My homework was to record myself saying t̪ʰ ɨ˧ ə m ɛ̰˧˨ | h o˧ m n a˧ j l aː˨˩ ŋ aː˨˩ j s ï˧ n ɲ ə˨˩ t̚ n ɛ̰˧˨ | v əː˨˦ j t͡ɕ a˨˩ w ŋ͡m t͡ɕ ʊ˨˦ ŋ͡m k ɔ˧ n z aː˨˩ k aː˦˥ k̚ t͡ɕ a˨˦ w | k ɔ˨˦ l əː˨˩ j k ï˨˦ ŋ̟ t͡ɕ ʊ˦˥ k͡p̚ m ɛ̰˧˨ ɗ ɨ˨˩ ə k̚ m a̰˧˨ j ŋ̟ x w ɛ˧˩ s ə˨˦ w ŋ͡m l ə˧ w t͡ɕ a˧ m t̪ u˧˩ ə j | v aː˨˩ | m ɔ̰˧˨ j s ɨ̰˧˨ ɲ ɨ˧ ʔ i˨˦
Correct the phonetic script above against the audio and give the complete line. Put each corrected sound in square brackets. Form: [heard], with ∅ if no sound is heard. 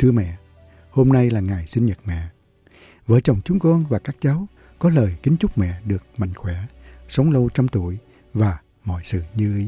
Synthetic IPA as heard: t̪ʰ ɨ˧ ə m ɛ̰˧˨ | h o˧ m n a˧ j l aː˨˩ ŋ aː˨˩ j s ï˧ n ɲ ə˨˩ t̚ [m] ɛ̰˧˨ | v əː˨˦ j t͡ɕ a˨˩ w ŋ͡m t͡ɕ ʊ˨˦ ŋ͡m k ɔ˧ n [v] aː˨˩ k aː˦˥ k̚ t͡ɕ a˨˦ w | k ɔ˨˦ l əː˨˩ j k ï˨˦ ŋ̟ t͡ɕ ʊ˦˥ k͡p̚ m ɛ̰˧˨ ɗ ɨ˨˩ ə k̚ m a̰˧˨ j ŋ̟ x w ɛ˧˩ s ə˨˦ w ŋ͡m l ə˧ w t͡ɕ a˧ m t̪ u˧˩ ə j | v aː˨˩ | m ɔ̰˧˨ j s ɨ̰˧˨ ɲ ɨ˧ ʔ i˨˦